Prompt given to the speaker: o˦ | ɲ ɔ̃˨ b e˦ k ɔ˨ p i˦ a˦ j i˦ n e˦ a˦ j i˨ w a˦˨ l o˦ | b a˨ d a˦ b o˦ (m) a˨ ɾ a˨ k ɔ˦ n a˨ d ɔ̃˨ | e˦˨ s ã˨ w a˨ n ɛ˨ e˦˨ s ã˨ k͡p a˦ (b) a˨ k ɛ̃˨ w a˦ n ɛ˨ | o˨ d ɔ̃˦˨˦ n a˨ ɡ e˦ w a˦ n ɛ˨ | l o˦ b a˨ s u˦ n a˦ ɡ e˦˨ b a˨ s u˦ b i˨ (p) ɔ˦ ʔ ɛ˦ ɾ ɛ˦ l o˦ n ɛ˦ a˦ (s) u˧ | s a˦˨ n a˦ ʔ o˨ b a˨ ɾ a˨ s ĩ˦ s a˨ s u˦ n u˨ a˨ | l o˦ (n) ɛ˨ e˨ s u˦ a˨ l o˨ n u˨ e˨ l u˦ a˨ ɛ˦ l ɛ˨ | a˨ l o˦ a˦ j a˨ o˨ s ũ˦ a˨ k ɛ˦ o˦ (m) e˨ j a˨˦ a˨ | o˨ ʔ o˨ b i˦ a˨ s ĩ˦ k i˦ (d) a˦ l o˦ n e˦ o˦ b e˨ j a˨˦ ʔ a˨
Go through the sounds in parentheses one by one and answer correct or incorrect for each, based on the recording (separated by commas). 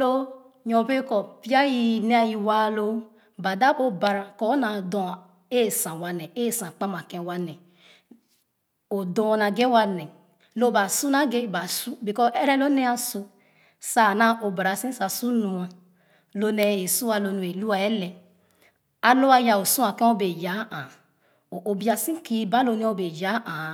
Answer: incorrect, incorrect, incorrect, correct, correct, incorrect, incorrect